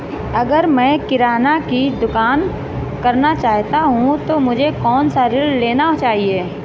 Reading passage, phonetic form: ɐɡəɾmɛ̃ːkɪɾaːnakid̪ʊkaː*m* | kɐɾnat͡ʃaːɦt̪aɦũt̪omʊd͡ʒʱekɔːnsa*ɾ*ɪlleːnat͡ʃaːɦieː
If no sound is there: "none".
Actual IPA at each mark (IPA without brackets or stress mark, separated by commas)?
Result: n, ɾ